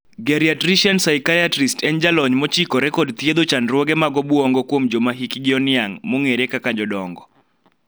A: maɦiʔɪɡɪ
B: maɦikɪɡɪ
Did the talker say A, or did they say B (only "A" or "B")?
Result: B